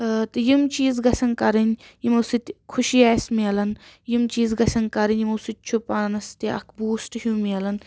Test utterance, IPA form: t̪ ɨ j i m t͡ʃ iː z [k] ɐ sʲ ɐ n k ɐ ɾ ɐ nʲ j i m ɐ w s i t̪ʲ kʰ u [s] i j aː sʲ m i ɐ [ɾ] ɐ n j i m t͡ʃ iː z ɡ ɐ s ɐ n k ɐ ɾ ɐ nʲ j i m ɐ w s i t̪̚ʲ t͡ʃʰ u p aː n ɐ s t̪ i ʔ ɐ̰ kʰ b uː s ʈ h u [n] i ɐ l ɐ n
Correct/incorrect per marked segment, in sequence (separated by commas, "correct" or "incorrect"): incorrect, incorrect, incorrect, incorrect